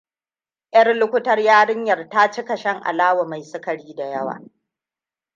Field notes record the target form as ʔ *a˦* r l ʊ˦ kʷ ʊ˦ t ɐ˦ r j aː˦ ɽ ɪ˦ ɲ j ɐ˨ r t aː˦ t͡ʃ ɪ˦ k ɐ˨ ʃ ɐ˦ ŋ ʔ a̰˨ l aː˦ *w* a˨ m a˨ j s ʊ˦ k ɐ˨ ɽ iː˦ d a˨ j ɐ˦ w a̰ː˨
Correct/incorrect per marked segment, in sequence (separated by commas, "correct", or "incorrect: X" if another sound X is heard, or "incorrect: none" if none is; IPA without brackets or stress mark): incorrect: ɐ˦, correct